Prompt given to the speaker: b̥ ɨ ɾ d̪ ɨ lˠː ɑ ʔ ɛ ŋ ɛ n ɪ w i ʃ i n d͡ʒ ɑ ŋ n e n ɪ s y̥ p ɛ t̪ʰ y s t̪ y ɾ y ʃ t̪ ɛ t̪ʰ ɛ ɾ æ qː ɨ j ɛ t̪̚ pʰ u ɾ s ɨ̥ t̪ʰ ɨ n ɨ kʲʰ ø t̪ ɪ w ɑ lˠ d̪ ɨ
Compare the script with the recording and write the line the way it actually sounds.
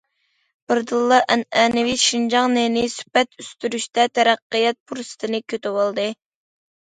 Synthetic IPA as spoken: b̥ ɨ ɾ d̪ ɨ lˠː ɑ ʔ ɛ n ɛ n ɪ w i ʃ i n d͡ʒ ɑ ŋ n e n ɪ s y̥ p ɛ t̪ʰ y s t̪ y ɾ y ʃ t̪ ɛ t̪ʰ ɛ ɾ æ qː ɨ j ɛ t̪̚ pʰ u ɾ s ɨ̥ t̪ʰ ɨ n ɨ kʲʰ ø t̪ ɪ w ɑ lˠ d̪ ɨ